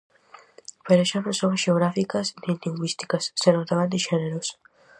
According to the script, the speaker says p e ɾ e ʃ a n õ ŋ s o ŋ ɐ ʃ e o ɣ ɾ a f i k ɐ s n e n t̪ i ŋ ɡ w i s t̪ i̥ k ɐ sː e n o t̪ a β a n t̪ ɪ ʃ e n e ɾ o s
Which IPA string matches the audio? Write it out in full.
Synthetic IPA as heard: p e ɾ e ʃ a n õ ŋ s o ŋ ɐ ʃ e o ɣ ɾ a f i k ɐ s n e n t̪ i ŋ ɡ w i s t̪ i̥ k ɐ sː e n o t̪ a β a n d̪ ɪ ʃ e n e ɾ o s